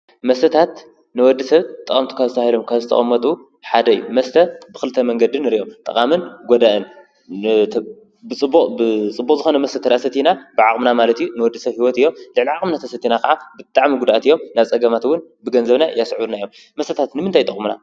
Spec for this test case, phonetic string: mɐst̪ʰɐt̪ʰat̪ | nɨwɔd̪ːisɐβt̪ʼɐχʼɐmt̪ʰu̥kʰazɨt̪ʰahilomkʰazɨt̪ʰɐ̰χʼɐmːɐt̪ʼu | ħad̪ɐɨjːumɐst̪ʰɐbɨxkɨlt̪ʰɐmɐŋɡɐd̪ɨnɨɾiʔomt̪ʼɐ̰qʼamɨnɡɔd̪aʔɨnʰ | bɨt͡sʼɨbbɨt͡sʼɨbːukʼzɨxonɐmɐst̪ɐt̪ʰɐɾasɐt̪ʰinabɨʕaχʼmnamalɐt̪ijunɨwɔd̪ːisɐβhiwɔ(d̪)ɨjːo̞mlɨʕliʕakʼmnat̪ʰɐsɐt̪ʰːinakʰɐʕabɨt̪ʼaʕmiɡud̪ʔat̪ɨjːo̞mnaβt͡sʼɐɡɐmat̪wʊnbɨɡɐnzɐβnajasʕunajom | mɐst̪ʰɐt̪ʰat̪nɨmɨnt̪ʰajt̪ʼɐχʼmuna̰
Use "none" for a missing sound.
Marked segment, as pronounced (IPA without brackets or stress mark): t̪